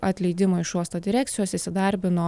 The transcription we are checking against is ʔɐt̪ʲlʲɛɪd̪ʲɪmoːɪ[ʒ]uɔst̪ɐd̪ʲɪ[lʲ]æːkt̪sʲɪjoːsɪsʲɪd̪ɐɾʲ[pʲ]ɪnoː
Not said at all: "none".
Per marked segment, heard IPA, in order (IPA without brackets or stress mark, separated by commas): ʃ, ɾʲ, bʲ